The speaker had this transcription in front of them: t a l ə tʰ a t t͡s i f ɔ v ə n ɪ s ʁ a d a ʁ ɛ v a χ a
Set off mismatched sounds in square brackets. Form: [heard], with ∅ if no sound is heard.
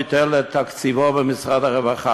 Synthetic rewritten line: t [ɛ] l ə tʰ a [k] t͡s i [v] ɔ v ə [m] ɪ s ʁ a d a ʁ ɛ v a χ a